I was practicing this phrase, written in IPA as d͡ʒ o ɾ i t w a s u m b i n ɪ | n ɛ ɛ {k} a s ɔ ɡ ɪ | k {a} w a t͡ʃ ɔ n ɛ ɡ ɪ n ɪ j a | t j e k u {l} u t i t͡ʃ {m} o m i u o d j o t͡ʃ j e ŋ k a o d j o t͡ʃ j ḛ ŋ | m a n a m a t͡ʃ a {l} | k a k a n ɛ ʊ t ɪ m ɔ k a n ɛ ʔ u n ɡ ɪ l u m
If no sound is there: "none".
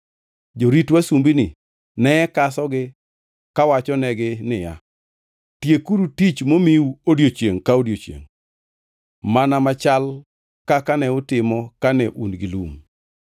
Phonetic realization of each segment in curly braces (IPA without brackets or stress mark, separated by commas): k, a, ɾ, m, l